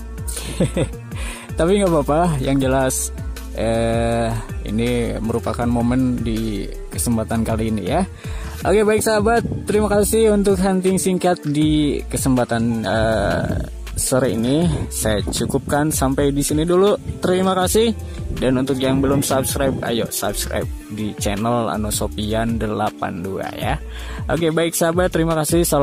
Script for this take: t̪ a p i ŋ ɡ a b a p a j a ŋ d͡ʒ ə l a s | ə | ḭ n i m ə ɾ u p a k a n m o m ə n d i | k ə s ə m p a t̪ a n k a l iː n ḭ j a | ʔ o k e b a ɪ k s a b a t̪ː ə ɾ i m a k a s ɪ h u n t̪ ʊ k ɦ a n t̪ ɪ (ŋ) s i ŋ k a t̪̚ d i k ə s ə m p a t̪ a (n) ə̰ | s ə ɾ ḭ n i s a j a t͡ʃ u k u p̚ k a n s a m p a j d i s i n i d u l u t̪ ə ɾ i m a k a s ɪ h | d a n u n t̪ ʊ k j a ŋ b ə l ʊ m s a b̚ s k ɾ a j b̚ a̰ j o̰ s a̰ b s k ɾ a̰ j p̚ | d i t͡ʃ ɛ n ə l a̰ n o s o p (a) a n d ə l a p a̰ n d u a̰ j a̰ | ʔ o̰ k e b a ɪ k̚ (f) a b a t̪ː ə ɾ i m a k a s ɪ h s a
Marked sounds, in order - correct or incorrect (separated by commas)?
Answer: correct, correct, incorrect, incorrect